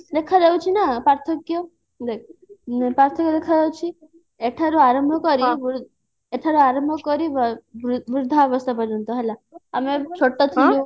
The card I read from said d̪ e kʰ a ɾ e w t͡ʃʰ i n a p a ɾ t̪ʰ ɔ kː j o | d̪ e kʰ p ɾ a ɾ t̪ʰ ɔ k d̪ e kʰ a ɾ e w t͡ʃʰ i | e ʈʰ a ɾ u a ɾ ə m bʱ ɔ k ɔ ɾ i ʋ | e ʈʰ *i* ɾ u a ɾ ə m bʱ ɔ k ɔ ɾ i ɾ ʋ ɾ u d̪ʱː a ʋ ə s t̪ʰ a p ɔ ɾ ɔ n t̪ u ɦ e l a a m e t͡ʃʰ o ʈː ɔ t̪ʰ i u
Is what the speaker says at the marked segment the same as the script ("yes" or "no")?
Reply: no